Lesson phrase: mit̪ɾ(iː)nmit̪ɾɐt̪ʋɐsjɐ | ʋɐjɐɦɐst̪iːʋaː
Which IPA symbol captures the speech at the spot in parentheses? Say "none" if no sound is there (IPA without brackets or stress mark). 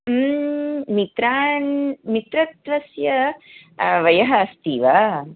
aː